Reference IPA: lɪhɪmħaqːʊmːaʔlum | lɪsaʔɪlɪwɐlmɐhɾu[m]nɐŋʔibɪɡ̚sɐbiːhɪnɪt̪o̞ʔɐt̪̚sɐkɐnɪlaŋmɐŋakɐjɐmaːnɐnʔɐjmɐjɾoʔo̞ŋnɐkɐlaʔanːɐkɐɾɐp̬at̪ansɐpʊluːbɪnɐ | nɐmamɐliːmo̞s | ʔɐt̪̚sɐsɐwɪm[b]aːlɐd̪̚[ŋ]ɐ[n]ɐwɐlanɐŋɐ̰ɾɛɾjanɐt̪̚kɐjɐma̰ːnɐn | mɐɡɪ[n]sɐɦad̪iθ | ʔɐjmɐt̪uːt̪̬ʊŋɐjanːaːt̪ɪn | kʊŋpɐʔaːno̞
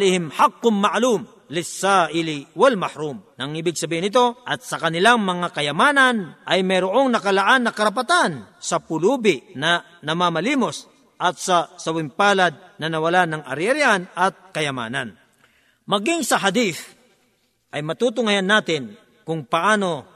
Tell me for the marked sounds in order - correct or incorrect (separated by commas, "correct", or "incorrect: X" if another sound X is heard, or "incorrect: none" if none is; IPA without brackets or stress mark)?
correct, incorrect: p, incorrect: n, correct, incorrect: ŋ